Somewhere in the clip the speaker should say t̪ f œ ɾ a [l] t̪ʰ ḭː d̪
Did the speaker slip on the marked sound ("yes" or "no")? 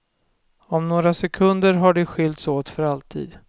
no